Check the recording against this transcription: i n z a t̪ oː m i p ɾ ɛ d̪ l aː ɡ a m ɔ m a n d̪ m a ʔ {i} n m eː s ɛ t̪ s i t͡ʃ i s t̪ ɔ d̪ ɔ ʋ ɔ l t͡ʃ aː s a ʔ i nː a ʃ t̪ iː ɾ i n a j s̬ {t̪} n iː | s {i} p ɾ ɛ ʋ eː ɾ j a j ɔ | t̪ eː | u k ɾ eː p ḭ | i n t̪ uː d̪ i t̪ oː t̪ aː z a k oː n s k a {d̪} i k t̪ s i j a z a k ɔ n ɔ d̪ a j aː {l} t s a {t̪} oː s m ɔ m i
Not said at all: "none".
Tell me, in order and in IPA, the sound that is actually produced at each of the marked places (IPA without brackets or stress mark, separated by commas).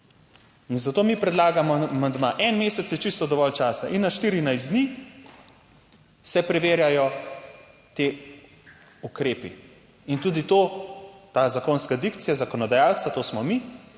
ɛ, d̪, ɛ, d̪, l, t̪